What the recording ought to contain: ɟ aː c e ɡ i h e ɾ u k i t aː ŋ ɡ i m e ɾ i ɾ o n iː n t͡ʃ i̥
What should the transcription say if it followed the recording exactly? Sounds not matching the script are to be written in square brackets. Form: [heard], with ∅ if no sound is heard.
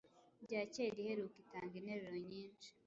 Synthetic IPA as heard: ɟ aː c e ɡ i h e ɾ u k i t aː ŋ ɡ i [n] e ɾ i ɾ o [ɲ] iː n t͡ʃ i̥